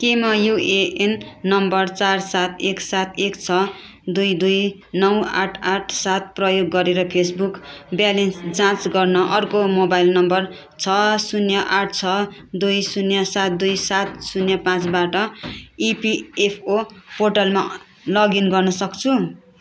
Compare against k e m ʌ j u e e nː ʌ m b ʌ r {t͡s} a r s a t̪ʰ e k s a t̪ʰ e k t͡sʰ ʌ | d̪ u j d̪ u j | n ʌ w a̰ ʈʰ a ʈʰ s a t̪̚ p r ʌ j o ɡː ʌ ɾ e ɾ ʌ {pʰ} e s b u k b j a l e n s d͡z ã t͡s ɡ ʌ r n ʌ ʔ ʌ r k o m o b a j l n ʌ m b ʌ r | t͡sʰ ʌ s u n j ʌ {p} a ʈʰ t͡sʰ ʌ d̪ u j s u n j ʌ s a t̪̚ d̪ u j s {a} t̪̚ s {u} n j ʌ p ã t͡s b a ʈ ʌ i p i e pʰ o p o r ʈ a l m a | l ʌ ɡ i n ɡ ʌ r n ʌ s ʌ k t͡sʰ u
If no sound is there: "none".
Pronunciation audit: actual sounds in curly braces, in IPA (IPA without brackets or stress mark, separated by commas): t͡s, pʰ, ʔ, a, u